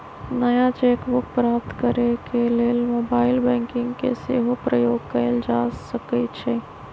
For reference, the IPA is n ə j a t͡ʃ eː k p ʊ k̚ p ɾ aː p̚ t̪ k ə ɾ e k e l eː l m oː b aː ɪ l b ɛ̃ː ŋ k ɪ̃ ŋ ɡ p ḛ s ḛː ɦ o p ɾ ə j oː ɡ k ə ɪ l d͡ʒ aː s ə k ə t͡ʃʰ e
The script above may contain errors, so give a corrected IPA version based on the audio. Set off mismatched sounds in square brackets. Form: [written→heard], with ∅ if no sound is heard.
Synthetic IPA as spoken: n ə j a t͡ʃ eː k [p→b] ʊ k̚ p ɾ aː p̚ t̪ k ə ɾ e k e l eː l m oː b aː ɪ l b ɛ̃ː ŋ k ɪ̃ ŋ ɡ [p→k] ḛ s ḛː ɦ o p ɾ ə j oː ɡ k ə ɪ l d͡ʒ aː s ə k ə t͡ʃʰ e

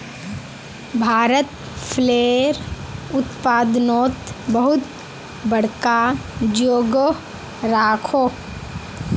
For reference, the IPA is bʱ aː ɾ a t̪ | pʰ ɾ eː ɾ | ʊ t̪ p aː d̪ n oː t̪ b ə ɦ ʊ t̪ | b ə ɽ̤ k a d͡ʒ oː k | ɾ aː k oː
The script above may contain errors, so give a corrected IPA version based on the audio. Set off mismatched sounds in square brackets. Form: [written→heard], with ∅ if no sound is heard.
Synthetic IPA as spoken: bʱ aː ɾ [a→ə] t̪ | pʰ [ɾ→l] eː ɾ | ʊ t̪ p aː d̪ n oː t̪ b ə ɦ ʊ t̪ | b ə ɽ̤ k a d͡ʒ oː [k→ɡ] | ɾ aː [k→kʰ] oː

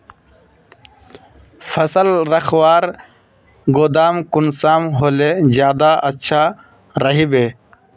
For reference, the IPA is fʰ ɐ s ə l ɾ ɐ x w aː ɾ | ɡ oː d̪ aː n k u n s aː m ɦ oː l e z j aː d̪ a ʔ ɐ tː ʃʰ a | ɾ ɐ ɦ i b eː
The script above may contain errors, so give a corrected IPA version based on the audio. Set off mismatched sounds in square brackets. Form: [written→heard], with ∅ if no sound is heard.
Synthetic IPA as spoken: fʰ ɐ s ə l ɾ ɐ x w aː ɾ | ɡ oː d̪ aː [n→m] k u n s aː m ɦ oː l e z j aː d̪ a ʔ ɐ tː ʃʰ a | ɾ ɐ ɦ i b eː

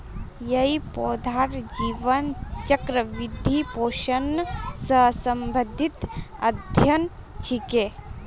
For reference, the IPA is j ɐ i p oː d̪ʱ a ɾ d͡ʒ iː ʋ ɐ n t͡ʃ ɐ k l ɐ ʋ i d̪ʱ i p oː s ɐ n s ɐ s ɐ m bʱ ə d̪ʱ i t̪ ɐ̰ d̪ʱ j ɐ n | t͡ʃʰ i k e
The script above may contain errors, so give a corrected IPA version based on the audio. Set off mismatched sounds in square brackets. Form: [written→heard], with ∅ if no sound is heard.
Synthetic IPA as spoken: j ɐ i p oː d̪ʱ a ɾ d͡ʒ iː ʋ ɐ n t͡ʃ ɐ k [l→ɾ] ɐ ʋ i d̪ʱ i p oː [s→ʃ] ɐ n s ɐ s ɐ m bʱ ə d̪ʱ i t̪ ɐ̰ d̪ʱ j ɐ n | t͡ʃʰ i k e

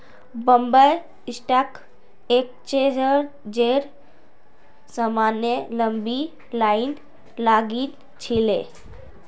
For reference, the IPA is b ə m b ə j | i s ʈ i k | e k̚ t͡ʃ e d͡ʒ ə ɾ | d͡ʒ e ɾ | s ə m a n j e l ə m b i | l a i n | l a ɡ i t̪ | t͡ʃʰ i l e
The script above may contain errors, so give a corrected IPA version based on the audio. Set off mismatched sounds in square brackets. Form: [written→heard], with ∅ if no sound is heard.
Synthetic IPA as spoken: b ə m b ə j | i s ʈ [i→a] k | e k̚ t͡ʃ e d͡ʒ ə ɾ | d͡ʒ e ɾ | s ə m a n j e l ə m b i | l a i n | l a ɡ i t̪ | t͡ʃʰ i l e

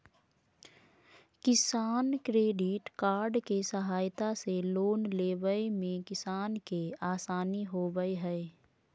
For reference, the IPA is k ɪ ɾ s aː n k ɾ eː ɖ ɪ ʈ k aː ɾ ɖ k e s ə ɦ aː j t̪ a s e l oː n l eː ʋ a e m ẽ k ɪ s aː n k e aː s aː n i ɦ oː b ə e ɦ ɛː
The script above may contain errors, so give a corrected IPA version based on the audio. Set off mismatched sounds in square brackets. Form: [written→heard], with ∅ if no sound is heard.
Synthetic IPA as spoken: k ɪ [ɾ→∅] s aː n k ɾ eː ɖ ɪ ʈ k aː ɾ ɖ k e s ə ɦ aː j t̪ a s e l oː n l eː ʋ [a→ə] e m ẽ k ɪ s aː n k e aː s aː n i ɦ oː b ə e ɦ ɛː

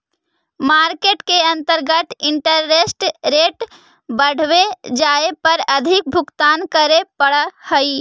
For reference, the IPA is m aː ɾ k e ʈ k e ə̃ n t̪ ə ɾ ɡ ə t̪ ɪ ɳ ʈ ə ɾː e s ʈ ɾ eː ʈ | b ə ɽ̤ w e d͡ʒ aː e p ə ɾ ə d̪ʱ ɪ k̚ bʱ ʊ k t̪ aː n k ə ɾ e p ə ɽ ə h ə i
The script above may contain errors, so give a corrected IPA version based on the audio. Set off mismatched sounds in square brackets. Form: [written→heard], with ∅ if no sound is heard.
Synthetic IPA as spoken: m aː ɾ k e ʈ k e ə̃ n t̪ ə ɾ ɡ ə t̪ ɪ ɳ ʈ ə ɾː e s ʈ ɾ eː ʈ | b ə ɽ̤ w e d͡ʒ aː e p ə ɾ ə d̪ʱ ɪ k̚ bʱ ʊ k t̪ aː n k ə ɾ e p ə ɽ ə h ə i

